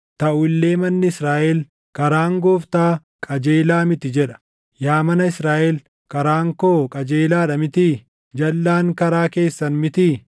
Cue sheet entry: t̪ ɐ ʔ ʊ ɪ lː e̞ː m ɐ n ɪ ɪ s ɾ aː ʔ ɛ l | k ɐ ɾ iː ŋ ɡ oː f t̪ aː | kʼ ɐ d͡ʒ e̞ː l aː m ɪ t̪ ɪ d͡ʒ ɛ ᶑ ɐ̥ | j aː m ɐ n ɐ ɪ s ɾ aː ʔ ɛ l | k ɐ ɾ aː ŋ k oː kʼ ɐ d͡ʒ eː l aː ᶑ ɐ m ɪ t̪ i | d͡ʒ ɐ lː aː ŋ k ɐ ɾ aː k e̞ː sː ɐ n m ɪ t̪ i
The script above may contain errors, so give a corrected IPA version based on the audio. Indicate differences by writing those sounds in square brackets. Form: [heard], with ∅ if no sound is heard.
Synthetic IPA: t̪ ɐ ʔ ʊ ɪ lː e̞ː m ɐ [nː] ɪ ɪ s ɾ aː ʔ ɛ l | k ɐ ɾ [aː] ŋ ɡ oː f t̪ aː | kʼ ɐ d͡ʒ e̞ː l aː m ɪ t̪ ɪ d͡ʒ ɛ ᶑ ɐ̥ | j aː m ɐ n ɐ ɪ s ɾ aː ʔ ɛ l | k ɐ ɾ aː ŋ k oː kʼ ɐ d͡ʒ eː l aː ᶑ ɐ m ɪ t̪ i | d͡ʒ ɐ lː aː ŋ k ɐ ɾ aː k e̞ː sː ɐ n m ɪ t̪ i